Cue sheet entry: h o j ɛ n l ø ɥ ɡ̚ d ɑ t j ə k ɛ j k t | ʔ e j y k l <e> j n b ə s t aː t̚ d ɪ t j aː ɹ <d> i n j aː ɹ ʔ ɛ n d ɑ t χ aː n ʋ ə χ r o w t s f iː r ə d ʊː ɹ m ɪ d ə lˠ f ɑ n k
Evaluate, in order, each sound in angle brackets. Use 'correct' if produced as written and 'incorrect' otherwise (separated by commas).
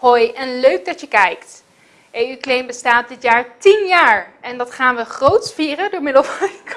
correct, incorrect